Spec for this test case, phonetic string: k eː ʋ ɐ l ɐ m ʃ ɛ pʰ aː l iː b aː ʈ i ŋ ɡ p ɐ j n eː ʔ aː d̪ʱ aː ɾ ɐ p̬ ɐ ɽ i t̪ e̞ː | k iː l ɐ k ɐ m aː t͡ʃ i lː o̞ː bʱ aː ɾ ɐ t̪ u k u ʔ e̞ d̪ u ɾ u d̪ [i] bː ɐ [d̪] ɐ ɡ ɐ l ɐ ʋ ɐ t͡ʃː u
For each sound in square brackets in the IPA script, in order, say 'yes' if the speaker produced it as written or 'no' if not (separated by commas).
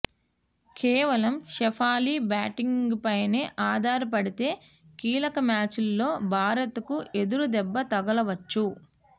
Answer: no, no